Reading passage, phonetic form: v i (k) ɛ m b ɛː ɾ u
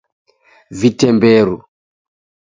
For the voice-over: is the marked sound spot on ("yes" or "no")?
no